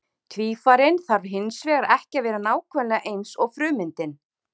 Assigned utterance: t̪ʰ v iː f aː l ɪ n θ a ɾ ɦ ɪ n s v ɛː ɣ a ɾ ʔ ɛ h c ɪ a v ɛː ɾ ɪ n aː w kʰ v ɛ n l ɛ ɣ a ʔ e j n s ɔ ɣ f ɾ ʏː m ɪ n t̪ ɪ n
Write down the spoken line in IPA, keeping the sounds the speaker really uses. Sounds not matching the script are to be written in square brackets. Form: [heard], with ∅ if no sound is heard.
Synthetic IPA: t̪ʰ v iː f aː [ɾ] ɪ n θ a ɾ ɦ ɪ n s v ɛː ɣ a ɾ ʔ ɛ h c ɪ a v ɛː ɾ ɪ n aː w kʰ v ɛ n l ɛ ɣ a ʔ e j n s ɔ ɣ f ɾ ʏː m ɪ n t̪ ɪ n

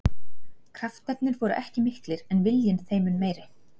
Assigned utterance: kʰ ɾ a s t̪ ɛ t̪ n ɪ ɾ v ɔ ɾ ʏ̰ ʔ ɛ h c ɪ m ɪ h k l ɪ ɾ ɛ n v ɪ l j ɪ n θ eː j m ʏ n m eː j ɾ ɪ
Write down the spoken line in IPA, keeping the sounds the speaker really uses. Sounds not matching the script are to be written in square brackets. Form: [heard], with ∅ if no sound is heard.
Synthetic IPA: kʰ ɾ a [f] t̪ ɛ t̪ n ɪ ɾ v ɔ ɾ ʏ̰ ʔ ɛ h c ɪ m ɪ h k l ɪ ɾ ɛ n v ɪ l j ɪ n θ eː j m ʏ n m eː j ɾ ɪ

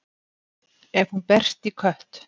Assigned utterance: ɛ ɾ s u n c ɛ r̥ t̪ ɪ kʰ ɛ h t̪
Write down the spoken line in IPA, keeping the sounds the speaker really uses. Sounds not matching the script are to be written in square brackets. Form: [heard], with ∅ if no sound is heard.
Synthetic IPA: ɛ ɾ [h] u n [p] ɛ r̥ t̪ [i] kʰ [œ] h t̪

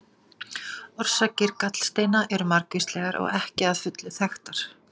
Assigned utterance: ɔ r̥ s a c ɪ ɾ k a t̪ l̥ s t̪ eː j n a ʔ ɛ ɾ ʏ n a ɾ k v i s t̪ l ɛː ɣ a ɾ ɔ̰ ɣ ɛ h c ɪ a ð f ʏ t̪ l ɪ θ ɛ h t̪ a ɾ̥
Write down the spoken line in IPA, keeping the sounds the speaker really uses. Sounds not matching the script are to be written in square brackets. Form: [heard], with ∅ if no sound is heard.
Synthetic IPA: ɔ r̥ s a c ɪ ɾ k a t̪ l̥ s t̪ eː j n a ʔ ɛ ɾ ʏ [m] a ɾ k v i s t̪ l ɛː ɣ a ɾ ɔ̰ ɣ ɛ h c ɪ a ð f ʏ t̪ l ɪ θ ɛ [x] t̪ a ɾ̥

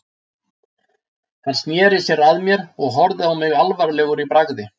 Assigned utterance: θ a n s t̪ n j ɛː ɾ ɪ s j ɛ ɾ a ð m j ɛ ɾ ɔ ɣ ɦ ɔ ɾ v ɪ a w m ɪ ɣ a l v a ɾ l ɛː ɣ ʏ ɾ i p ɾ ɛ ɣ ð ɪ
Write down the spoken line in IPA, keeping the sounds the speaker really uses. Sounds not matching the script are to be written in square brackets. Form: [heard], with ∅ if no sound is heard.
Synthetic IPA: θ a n s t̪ n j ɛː ɾ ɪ s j ɛ ɾ a ð m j ɛ ɾ ɔ ɣ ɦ ɔ ɾ [ð] ɪ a w m ɪ ɣ a l v a ɾ l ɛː ɣ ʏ ɾ i p ɾ [a] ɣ ð ɪ

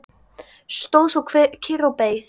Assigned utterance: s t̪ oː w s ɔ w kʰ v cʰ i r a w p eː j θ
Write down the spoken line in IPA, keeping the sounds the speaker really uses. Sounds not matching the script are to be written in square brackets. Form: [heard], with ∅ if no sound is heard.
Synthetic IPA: s t̪ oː w s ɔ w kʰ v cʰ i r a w p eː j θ

